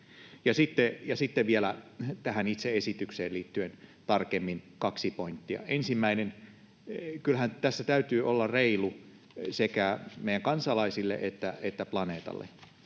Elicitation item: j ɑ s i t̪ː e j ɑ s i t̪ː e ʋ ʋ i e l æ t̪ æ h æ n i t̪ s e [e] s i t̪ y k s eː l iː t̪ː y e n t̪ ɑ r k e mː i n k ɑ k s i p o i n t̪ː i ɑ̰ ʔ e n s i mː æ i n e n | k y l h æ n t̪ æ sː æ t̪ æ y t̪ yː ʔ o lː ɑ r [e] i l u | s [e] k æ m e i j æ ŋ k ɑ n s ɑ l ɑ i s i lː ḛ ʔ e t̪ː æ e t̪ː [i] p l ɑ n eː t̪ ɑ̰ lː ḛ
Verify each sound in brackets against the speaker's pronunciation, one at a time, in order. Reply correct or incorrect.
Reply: correct, correct, correct, incorrect: æ

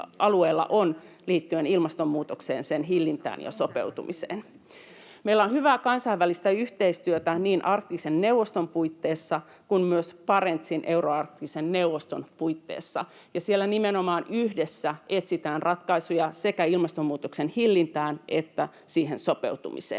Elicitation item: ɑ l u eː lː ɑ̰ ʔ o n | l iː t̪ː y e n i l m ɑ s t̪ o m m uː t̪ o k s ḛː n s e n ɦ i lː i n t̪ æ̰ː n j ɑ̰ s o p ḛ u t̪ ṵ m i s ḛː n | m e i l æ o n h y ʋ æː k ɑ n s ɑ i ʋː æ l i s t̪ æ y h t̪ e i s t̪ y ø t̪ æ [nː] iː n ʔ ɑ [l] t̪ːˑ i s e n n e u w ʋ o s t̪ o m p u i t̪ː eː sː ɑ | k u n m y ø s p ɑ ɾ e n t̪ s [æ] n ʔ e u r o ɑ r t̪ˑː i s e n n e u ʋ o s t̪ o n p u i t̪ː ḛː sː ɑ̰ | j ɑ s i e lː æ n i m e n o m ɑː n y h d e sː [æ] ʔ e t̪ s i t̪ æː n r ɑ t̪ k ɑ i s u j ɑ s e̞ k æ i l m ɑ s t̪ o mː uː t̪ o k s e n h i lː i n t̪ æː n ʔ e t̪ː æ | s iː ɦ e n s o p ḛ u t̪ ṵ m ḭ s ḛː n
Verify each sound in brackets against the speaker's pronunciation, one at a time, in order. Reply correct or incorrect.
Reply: incorrect: n, incorrect: r, incorrect: i, correct

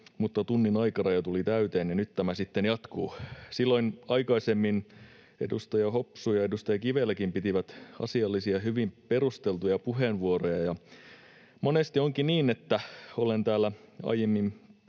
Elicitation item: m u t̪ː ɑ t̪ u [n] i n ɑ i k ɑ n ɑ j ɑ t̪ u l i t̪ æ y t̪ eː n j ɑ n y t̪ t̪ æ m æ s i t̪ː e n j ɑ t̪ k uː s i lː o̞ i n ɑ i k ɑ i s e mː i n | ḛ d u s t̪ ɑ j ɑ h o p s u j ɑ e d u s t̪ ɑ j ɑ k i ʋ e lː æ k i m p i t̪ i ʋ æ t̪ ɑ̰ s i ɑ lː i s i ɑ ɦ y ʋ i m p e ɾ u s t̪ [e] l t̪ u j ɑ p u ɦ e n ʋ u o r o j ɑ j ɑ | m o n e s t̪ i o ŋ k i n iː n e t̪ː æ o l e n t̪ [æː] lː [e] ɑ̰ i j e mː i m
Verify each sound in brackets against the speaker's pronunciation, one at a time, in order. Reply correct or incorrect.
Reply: incorrect: nː, correct, correct, incorrect: æ

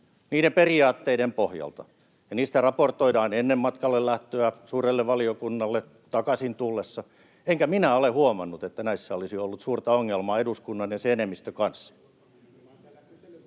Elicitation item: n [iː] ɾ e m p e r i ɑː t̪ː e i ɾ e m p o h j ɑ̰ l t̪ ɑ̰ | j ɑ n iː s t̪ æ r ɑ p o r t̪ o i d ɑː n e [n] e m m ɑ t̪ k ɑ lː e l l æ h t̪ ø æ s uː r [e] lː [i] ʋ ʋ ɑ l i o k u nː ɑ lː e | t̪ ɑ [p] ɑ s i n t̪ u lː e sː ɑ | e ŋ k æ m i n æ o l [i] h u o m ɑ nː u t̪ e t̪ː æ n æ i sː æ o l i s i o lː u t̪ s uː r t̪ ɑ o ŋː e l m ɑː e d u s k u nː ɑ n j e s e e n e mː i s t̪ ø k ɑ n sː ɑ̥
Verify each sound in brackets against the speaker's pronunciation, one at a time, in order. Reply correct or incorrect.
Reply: correct, incorrect: nː, correct, incorrect: e, incorrect: k, incorrect: e

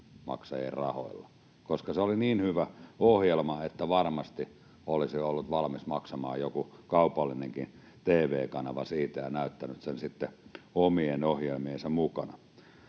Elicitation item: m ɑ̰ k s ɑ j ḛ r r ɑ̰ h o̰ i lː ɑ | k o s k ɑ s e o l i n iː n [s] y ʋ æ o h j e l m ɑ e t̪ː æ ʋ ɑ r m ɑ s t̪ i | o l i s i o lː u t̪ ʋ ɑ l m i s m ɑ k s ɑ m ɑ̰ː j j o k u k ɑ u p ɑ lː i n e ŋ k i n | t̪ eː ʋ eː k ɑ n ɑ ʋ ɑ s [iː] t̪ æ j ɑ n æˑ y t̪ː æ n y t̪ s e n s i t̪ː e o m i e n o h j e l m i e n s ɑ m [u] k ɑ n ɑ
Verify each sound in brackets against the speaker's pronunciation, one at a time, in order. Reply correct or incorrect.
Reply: incorrect: h, correct, correct

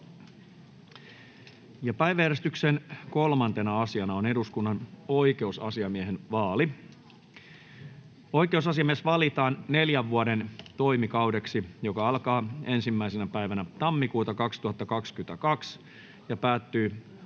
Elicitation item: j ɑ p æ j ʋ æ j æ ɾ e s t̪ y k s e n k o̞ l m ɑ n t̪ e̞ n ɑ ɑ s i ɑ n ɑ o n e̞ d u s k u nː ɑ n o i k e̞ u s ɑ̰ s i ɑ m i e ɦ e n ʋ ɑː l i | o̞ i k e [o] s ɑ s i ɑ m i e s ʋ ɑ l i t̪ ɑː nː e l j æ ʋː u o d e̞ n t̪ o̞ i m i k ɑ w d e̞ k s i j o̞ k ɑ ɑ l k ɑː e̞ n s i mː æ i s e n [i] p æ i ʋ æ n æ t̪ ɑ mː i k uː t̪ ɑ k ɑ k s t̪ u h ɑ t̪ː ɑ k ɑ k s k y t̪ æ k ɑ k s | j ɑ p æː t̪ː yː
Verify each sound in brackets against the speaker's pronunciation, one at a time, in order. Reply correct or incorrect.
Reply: incorrect: u, incorrect: æ

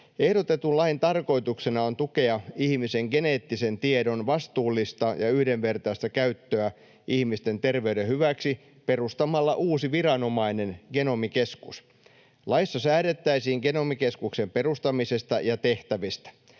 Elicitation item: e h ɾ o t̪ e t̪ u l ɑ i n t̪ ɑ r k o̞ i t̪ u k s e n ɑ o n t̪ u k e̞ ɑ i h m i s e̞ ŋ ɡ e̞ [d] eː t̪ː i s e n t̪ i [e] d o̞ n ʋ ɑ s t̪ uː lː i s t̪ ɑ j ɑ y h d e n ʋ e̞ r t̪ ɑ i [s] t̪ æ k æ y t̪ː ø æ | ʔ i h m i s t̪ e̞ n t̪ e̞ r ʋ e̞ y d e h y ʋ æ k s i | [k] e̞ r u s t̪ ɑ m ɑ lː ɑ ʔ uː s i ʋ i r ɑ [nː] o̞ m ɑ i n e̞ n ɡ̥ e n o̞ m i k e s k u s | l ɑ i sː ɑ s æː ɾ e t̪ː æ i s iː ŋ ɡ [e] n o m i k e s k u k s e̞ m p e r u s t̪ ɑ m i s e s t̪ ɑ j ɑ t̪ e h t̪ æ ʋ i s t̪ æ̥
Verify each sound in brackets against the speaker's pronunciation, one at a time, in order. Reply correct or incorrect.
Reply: incorrect: n, correct, correct, incorrect: p, incorrect: n, correct

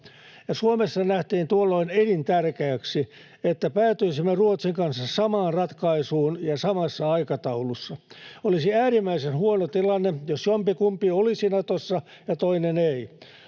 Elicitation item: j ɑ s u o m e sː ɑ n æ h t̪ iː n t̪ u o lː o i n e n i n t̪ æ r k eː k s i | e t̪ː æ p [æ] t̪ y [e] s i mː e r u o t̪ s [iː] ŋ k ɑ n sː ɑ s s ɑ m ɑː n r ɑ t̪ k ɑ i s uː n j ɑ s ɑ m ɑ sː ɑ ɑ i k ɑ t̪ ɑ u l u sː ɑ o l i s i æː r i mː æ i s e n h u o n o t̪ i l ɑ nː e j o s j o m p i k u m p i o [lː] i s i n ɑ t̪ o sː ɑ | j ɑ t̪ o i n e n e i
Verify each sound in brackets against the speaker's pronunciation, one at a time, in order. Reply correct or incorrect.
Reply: incorrect: æː, incorrect: i, incorrect: i, incorrect: l

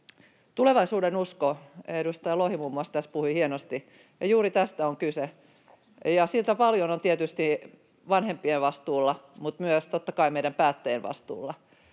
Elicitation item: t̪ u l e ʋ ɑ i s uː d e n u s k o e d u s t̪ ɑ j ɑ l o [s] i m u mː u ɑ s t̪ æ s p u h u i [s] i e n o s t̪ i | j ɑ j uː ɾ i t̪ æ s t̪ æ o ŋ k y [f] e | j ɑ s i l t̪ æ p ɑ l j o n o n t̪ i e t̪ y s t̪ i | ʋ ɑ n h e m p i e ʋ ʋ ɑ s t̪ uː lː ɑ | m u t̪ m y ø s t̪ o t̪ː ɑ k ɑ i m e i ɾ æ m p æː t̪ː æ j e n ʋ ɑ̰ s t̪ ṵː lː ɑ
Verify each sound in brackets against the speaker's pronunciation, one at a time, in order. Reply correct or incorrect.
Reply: incorrect: h, incorrect: h, incorrect: s

